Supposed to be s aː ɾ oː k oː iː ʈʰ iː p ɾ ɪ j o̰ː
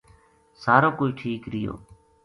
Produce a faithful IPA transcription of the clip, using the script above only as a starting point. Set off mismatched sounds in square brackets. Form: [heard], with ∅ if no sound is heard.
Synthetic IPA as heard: s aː ɾ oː k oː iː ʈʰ iː [k] ɾ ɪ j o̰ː

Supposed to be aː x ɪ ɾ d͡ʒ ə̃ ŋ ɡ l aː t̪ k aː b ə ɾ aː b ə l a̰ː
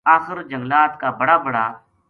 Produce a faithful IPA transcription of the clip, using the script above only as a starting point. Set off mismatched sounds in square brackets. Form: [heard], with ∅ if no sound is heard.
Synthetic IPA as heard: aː x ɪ ɾ d͡ʒ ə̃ ŋ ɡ l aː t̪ k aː b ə [ɽ] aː b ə [ɽ] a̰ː

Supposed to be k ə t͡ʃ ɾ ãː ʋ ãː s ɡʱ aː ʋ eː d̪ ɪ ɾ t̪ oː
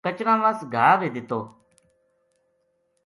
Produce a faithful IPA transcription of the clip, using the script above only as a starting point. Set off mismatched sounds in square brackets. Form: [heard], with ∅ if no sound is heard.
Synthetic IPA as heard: k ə t͡ʃ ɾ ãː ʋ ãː s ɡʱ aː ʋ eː d̪ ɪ [∅] t̪ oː

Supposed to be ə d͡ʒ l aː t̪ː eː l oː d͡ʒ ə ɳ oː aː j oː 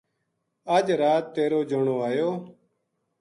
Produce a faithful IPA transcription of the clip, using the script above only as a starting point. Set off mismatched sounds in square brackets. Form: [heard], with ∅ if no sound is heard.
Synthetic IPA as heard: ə d͡ʒ [ɾ] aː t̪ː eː [ɾ] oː d͡ʒ ə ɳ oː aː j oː

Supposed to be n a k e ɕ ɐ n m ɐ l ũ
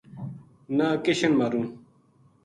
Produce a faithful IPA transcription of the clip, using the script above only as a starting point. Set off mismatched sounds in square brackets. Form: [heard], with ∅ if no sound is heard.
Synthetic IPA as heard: n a k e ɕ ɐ n m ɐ [ɾ] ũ

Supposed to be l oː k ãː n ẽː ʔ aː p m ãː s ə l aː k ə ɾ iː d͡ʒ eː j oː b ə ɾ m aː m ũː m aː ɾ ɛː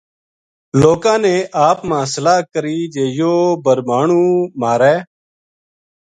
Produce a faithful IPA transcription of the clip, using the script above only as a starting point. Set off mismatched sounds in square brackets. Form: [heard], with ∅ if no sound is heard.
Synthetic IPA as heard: l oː k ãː n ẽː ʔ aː p m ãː s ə l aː k ə ɾ iː d͡ʒ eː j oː b ə ɾ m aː [ɳ] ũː m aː ɾ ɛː

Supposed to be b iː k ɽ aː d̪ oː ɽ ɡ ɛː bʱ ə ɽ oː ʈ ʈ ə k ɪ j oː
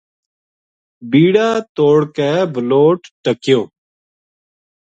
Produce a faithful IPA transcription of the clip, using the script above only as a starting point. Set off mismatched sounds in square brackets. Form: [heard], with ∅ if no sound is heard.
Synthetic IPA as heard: b iː [∅] ɽ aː [t̪] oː ɽ [k] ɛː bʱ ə [l] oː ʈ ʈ ə k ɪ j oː

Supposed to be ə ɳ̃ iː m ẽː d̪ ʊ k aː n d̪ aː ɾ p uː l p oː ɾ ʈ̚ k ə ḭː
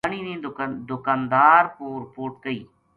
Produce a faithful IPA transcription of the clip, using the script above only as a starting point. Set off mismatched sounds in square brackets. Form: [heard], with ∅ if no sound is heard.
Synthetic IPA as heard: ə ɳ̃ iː [n] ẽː d̪ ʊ k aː n d̪ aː ɾ p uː [ɾ] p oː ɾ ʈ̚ k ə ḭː

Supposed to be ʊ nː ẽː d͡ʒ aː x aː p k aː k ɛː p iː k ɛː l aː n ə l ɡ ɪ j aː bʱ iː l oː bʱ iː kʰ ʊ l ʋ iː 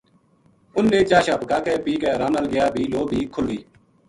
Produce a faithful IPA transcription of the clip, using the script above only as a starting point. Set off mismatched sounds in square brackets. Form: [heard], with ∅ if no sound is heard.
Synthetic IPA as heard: ʊ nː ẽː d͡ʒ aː [ʃ] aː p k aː k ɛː p iː k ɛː [ɾ] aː n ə l ɡ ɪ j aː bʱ iː l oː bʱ iː kʰ ʊ l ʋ iː

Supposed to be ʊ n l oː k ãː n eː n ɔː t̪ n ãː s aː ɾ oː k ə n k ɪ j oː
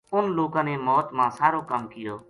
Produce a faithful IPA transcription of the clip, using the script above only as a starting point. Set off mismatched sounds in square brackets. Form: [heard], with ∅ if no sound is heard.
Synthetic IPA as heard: ʊ n l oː k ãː n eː [m] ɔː t̪ [m] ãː s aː ɾ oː k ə [m] k ɪ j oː

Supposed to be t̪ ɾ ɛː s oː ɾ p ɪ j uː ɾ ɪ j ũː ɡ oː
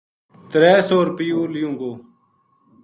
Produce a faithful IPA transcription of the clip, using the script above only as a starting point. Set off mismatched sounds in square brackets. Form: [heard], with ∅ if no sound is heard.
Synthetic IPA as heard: t̪ ɾ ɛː s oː ɾ p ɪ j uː [l] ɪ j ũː ɡ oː

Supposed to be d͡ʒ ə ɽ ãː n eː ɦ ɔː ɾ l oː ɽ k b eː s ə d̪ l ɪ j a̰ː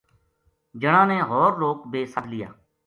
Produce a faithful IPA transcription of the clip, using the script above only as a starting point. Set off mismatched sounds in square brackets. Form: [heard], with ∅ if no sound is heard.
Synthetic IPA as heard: d͡ʒ ə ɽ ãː n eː ɦ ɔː ɾ l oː [∅] k b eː s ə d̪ l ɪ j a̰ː

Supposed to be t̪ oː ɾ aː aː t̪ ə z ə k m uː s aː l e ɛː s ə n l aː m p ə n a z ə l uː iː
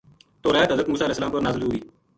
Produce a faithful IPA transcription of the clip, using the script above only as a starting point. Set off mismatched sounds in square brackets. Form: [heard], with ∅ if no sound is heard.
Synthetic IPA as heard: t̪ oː ɾ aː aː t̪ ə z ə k m uː s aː l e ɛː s ə [∅] l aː m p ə n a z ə l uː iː

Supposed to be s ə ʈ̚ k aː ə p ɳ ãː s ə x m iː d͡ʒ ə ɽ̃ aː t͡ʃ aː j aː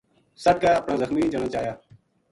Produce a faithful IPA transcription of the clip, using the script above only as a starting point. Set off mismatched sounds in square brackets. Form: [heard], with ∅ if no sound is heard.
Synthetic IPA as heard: s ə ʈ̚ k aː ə p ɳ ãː [z] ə x m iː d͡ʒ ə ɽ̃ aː t͡ʃ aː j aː

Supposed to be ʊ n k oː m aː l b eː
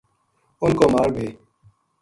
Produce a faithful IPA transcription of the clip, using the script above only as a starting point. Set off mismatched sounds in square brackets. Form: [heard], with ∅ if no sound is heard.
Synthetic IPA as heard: ʊ n k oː m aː [ɾ] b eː

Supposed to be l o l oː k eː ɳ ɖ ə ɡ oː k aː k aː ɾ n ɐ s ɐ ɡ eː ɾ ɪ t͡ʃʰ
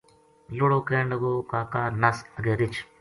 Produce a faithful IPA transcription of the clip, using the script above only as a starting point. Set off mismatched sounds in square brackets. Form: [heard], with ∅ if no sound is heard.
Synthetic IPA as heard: l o [ɽ] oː k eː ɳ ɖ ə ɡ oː k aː k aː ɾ n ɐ s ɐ ɡ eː ɾ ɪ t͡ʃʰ

